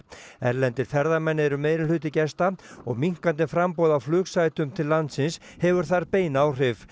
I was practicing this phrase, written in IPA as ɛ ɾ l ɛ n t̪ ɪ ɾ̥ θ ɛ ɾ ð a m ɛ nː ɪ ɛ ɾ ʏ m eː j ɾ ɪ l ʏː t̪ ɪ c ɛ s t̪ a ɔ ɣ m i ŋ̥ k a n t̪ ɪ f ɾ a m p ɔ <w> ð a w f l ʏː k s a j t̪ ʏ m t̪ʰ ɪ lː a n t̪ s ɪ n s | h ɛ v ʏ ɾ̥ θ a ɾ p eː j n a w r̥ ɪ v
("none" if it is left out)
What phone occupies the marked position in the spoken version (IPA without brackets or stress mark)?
w